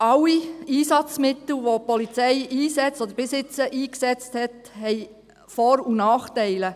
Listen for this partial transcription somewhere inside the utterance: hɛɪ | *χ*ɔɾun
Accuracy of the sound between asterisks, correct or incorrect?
incorrect